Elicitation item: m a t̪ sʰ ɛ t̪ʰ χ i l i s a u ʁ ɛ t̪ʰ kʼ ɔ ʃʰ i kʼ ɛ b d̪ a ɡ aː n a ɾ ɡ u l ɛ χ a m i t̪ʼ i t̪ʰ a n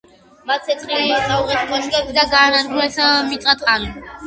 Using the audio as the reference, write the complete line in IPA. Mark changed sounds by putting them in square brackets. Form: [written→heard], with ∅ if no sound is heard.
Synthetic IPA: m a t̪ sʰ ɛ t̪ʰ χ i l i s a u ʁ ɛ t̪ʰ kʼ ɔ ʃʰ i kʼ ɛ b d̪ a ɡ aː n a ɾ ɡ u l ɛ [χ→s] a m i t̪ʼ [i→a] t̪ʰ a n